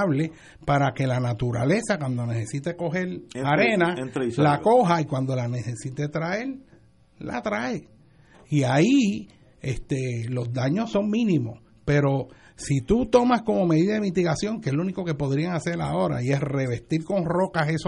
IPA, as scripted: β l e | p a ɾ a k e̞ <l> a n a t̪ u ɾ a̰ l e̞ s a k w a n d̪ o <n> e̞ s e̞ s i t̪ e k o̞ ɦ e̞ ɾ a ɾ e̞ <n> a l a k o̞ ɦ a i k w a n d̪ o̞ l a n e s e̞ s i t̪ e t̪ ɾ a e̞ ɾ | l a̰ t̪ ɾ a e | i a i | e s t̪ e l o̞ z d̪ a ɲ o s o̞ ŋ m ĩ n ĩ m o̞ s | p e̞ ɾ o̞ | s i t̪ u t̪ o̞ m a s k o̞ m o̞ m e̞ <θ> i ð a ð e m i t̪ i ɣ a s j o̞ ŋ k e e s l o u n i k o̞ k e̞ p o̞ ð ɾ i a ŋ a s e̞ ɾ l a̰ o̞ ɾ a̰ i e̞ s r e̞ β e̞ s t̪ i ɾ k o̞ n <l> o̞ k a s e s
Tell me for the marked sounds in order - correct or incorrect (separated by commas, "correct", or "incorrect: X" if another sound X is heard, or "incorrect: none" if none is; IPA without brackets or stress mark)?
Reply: correct, correct, correct, incorrect: ð, incorrect: r